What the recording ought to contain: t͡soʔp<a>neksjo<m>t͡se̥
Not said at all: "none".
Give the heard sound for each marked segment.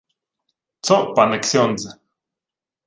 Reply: a, n

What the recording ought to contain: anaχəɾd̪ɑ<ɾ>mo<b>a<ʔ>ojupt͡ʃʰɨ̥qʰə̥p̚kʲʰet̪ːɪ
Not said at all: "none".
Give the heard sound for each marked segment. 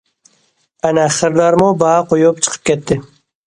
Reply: ɾ, b, q

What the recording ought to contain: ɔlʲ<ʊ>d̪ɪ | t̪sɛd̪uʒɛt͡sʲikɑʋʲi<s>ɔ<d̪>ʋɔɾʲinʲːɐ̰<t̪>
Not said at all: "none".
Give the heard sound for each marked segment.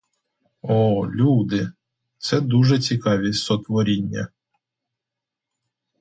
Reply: u, s, t̪, none

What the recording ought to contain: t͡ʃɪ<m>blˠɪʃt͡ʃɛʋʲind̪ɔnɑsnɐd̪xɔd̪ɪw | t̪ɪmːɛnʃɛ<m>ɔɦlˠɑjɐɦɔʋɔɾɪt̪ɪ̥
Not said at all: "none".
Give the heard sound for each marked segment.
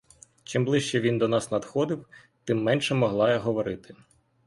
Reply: m, m

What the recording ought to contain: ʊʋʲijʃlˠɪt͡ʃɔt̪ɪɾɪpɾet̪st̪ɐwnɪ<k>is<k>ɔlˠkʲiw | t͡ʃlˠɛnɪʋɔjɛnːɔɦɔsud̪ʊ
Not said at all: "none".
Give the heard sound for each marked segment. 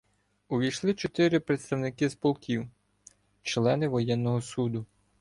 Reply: k, p

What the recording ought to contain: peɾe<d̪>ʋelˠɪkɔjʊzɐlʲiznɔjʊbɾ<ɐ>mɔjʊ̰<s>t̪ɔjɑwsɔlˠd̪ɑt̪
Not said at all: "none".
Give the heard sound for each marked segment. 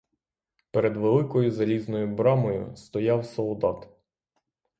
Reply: d̪, ɑ, s

